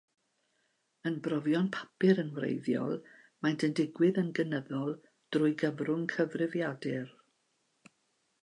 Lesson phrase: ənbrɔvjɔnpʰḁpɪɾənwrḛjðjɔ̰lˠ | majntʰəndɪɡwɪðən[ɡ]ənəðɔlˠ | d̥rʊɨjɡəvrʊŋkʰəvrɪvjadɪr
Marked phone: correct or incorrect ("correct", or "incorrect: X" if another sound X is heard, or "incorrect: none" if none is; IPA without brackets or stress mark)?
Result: correct